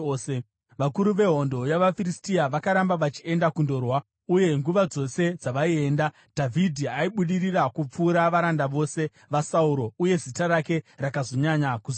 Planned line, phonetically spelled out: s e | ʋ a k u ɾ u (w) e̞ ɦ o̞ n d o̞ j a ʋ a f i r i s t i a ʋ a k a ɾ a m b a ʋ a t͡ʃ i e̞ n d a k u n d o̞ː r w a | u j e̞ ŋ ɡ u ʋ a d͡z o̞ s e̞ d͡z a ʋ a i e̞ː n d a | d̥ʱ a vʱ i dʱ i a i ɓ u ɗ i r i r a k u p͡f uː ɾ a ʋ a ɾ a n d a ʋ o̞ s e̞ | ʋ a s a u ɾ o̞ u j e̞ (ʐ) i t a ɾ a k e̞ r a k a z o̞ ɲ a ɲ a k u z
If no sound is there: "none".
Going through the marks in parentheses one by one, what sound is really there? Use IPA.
ʋ, z

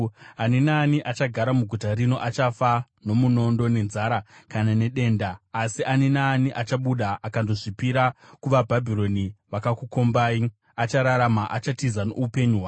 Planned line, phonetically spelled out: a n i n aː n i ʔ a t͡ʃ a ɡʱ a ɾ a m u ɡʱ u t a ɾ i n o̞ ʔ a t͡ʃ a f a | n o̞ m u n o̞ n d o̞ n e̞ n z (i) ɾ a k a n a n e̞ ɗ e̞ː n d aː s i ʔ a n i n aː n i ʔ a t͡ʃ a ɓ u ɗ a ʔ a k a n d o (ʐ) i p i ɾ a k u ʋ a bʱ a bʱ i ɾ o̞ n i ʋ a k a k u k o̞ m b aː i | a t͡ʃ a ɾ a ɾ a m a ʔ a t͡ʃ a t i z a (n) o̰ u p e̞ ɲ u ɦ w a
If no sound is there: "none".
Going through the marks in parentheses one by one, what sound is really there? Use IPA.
a, ʐ, n

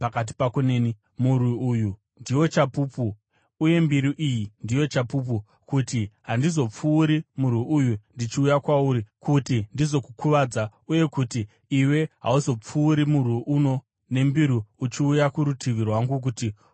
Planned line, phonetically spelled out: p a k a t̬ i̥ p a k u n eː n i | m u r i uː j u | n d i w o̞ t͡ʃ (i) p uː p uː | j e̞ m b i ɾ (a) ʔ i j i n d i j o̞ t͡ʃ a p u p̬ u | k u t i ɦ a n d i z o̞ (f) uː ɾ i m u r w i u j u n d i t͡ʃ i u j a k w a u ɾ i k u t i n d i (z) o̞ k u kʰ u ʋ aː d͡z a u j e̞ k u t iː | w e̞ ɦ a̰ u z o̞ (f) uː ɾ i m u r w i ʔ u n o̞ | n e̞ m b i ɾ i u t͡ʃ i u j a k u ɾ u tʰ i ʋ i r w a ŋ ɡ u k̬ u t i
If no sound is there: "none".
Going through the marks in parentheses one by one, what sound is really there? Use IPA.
a, i, p͡f, z, p͡f

